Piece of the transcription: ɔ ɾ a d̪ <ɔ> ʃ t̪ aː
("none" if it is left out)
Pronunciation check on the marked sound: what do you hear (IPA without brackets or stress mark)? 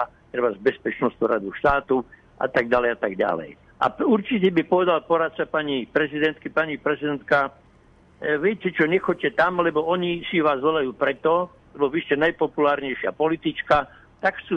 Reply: u